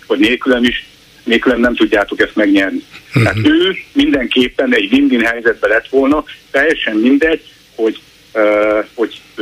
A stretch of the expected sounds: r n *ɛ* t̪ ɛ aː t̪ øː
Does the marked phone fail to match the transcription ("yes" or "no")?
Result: yes